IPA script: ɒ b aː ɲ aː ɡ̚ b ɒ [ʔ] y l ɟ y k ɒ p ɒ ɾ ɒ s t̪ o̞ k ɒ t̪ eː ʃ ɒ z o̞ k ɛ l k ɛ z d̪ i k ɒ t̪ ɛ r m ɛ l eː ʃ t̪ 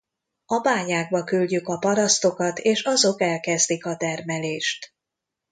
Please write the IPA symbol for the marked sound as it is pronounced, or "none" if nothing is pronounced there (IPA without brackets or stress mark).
k